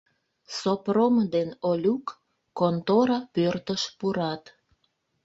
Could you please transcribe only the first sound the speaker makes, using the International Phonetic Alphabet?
s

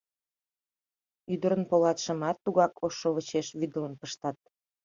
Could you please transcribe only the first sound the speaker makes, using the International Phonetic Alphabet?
y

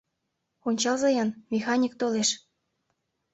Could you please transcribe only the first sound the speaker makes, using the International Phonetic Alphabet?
o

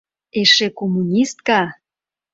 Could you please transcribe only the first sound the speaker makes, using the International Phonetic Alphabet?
e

